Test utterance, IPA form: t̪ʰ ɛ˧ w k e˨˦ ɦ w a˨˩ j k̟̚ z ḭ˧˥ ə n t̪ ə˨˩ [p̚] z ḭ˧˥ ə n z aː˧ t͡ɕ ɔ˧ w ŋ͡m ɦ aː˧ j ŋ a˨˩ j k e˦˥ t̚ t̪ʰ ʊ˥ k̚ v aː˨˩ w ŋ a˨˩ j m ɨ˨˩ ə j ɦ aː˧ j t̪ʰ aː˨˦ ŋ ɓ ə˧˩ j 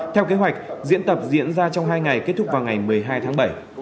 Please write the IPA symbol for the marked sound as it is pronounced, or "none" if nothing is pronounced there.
p̚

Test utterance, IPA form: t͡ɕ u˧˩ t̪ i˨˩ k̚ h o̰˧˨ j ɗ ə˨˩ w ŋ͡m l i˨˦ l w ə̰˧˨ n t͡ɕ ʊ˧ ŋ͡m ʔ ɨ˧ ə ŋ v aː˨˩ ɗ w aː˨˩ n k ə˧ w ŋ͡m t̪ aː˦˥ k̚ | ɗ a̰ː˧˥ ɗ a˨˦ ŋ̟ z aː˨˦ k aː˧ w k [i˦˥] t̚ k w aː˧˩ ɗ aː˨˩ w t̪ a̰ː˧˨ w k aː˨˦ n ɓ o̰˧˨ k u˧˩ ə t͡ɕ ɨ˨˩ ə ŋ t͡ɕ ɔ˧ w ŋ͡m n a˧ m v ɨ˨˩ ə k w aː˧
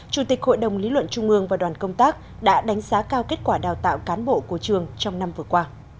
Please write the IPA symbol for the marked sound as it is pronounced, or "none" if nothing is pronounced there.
e˦˥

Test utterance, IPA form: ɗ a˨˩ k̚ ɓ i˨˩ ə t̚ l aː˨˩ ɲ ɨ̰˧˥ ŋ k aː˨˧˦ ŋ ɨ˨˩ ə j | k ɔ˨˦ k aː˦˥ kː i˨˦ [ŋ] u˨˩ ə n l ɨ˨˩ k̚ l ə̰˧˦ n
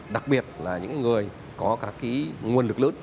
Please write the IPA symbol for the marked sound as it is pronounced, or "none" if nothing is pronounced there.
ŋ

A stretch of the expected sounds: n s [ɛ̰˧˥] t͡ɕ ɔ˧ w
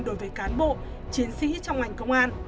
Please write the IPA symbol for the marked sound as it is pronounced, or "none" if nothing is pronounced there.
ḭ˧˥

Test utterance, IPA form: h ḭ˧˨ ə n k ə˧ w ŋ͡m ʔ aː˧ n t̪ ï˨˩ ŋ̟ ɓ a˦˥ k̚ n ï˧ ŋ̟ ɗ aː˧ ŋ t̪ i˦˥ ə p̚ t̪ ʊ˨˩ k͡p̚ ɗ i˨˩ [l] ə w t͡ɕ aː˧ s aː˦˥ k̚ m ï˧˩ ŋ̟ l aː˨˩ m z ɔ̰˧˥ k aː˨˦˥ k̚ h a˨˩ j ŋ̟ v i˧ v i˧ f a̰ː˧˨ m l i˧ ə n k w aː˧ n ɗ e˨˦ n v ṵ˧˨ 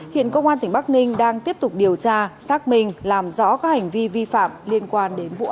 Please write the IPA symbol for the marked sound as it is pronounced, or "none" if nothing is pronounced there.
none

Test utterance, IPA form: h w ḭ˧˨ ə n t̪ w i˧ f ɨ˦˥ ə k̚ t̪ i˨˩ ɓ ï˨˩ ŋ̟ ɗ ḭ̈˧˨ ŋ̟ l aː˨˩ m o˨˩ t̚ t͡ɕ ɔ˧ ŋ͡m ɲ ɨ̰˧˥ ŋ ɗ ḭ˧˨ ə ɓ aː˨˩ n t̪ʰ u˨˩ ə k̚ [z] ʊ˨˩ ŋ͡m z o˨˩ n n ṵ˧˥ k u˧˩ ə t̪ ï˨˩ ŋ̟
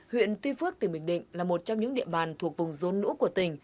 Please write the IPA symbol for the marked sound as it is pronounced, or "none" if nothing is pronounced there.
v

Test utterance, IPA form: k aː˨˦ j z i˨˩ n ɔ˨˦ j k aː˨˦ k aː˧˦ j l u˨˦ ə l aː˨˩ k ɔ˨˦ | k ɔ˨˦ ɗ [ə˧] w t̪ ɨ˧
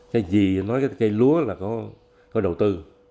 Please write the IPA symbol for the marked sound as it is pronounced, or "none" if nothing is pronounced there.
ə˨˩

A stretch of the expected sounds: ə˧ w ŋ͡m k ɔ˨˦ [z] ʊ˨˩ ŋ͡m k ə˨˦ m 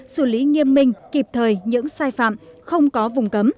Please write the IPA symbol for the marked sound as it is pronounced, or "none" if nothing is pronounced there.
v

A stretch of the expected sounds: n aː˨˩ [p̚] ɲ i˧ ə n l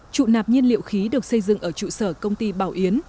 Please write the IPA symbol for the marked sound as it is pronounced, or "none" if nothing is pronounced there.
p̚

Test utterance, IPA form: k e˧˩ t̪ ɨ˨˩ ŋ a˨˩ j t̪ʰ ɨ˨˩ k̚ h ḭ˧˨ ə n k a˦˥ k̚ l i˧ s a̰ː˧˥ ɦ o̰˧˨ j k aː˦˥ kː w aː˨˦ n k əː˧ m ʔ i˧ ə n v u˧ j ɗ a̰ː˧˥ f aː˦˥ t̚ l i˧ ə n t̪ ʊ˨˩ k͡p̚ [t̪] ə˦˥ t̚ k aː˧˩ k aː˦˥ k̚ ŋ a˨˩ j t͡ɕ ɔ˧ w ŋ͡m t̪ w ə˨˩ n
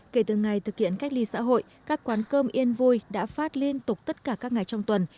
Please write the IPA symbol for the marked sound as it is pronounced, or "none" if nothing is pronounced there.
t̪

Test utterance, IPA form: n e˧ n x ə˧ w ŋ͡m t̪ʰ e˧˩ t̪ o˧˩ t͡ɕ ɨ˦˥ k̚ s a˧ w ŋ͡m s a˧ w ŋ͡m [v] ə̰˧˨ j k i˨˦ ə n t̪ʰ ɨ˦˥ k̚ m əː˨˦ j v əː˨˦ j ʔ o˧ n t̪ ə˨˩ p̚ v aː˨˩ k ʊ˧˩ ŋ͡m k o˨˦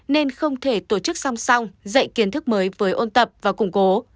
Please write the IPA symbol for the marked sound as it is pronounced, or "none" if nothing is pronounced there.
z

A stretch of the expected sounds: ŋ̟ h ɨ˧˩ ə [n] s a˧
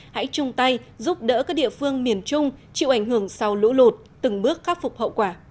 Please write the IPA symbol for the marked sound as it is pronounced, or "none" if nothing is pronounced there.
ŋ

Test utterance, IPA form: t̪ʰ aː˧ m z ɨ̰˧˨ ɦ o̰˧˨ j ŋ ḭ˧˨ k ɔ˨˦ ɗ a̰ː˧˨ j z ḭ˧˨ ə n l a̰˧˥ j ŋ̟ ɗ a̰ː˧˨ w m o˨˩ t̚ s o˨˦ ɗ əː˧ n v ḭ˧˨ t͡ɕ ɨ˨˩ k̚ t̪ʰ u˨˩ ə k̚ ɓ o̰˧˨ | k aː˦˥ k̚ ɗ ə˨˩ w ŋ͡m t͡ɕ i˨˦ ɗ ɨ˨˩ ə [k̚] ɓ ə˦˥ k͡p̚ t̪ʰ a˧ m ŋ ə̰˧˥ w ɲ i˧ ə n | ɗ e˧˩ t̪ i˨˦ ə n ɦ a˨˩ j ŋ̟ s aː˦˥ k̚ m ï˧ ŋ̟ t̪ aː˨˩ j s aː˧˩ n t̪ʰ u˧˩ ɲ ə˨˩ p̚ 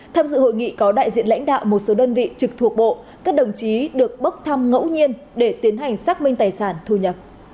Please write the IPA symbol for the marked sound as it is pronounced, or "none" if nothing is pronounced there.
k̚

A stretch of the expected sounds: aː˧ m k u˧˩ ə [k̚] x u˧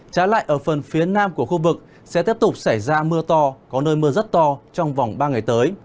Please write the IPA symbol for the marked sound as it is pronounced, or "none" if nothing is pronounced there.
none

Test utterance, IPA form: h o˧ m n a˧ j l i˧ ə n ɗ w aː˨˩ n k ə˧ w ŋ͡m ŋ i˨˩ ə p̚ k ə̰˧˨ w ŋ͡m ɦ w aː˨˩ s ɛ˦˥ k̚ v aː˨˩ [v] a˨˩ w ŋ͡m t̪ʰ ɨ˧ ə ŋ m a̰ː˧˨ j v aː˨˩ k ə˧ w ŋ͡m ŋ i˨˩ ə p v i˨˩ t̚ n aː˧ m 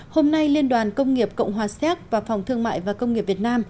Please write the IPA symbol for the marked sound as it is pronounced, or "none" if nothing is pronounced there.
f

